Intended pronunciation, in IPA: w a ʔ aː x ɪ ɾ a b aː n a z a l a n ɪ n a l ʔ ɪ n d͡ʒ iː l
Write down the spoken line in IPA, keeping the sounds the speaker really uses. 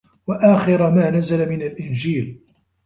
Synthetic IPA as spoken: w a ʔ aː x ɪ ɾ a m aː n a z a l a m ɪ n a l ʔ ɪ n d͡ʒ iː l